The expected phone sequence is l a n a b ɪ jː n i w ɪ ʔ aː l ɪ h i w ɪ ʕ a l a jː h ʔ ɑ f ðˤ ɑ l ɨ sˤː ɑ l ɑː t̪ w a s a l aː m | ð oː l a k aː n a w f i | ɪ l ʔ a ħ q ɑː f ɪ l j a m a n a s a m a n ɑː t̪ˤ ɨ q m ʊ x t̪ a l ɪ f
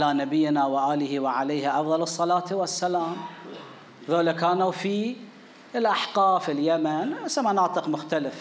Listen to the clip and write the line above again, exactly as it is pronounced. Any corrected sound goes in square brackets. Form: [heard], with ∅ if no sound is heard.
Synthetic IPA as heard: l a n a b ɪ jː n [a] w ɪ ʔ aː l ɪ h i w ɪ ʕ a l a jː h ʔ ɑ f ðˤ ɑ l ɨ sˤː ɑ l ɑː t̪ w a [sː] a l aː m | ð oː l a k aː n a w f i | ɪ l ʔ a ħ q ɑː f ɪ l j a m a n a s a m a n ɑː t̪ˤ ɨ q m ʊ x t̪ a l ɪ f